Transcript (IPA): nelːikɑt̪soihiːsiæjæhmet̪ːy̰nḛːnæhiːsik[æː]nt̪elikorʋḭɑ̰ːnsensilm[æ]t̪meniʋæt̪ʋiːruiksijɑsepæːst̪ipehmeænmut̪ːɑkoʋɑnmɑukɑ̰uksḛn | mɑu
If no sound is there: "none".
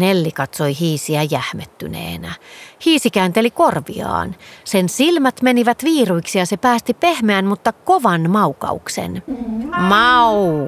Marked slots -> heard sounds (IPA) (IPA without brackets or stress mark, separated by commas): æː, æ